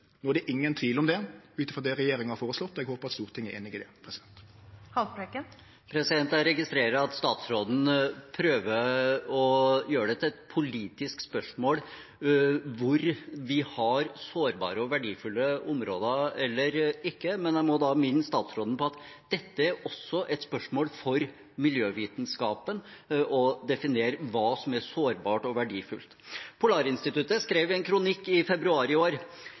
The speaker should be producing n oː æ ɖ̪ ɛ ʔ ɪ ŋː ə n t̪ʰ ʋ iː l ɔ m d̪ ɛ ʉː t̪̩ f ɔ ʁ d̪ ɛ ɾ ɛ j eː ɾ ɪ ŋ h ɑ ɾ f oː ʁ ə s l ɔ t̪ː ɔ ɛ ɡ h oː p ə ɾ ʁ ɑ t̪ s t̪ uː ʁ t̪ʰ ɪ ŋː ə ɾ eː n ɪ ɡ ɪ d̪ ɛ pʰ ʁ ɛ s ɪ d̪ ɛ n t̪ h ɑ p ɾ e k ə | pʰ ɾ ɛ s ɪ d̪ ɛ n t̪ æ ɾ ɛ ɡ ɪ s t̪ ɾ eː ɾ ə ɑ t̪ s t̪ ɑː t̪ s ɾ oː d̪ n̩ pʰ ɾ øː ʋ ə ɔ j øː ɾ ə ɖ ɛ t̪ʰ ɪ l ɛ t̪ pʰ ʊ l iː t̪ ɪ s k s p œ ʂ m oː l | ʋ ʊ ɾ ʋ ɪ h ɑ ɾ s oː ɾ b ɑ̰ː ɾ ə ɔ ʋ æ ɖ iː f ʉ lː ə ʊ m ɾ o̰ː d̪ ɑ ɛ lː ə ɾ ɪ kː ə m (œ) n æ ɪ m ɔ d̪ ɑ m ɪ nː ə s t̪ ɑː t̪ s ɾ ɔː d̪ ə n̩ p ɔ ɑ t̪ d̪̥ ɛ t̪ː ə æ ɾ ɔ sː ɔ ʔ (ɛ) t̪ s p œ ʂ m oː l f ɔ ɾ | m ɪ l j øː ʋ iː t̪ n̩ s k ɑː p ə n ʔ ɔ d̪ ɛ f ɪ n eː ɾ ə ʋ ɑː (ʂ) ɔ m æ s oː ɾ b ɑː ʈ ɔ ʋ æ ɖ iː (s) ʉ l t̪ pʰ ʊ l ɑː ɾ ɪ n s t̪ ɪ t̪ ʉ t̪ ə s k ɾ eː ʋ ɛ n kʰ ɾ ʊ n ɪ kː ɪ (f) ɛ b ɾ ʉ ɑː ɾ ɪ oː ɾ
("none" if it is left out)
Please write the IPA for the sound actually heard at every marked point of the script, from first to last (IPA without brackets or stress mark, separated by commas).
ɛ, ɛ, s, f, f